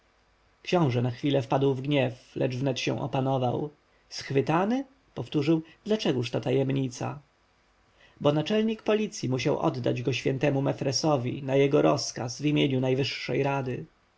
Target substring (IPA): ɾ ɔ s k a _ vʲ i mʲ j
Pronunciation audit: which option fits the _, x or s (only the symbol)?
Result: s